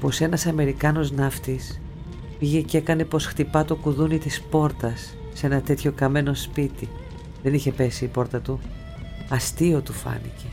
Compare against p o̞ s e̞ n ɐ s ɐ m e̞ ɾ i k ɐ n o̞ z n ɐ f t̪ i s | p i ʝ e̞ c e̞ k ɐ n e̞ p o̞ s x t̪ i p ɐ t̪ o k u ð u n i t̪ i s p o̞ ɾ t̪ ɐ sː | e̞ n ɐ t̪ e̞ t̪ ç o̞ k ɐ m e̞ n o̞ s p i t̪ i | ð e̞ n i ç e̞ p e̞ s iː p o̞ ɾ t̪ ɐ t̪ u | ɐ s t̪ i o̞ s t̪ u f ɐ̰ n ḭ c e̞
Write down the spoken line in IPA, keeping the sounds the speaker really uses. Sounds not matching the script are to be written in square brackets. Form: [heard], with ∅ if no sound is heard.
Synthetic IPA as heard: p o̞ s e̞ n ɐ s ɐ m e̞ ɾ i k ɐ n o̞ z n ɐ f t̪ i s | p i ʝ e̞ c e̞ k ɐ n e̞ p o̞ s x t̪ i p ɐ t̪ o k u ð u n i t̪ i s p o̞ ɾ t̪ ɐ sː | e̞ n ɐ t̪ e̞ t̪ ç o̞ k ɐ m e̞ n o̞ s p i t̪ i | ð e̞ n i ç e̞ p e̞ s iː p o̞ ɾ t̪ ɐ t̪ u | ɐ s t̪ i o̞ [∅] t̪ u f ɐ̰ n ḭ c e̞